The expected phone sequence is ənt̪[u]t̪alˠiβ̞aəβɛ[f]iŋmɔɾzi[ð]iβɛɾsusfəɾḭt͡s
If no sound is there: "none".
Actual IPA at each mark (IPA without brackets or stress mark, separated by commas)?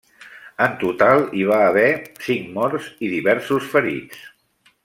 u, s, ð